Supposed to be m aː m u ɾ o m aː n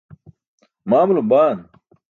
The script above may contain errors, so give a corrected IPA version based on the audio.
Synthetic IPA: m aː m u l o b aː n